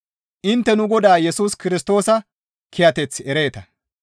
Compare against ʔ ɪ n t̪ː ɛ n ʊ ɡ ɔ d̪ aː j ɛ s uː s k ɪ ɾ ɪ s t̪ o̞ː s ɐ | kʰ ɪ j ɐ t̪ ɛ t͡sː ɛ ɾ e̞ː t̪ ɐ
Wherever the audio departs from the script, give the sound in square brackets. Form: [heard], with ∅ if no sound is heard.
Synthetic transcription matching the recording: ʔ ɪ n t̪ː ɛ n ʊ ɡ ɔ d̪ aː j ɛ s uː s k ɪ ɾ ɪ s t̪ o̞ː s ɐ | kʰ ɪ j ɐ t̪ ɛ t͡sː ɛ ɾ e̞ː t̪ ɐ